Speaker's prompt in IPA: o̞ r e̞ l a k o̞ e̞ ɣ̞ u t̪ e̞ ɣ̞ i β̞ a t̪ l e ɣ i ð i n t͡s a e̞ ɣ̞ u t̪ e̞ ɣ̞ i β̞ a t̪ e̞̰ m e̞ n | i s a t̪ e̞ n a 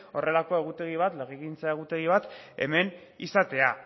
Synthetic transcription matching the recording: o̞ r e̞ l a k o̞ e̞ ɣ̞ u t̪ e̞ ɣ̞ i β̞ a t̪ l e ɣ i ɣ i n t͡s a e̞ ɣ̞ u t̪ e̞ ɣ̞ i β̞ a t̪ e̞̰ m e̞ n | i s a t̪ e̞ a